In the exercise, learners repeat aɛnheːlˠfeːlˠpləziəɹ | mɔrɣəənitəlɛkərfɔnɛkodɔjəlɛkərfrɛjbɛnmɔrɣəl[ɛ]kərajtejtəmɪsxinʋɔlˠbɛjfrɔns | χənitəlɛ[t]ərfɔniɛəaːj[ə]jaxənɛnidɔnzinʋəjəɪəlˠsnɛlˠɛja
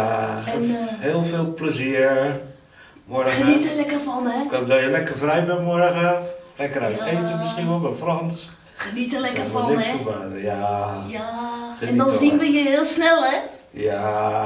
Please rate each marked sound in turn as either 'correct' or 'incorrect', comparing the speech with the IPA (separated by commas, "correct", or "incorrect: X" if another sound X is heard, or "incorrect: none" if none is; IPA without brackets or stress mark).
correct, incorrect: k, incorrect: a